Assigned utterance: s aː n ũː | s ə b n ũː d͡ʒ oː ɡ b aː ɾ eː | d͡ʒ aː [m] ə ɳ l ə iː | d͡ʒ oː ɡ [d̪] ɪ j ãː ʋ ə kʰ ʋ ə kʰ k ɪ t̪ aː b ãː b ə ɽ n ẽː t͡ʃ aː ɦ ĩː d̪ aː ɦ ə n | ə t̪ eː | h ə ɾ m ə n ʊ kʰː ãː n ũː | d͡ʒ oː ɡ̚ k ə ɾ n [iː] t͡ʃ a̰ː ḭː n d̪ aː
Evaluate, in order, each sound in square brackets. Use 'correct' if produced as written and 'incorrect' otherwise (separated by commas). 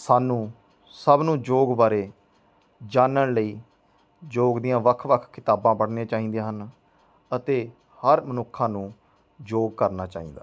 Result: incorrect, correct, incorrect